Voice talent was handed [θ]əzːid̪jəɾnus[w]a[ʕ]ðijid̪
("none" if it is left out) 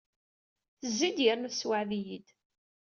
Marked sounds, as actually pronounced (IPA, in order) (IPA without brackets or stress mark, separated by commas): θ, w, ʕ